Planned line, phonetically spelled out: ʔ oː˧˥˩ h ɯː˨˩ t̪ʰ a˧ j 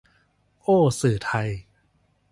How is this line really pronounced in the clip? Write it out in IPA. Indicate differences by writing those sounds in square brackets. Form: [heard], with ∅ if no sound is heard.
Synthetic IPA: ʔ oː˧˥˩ [s] ɯː˨˩ t̪ʰ a˧ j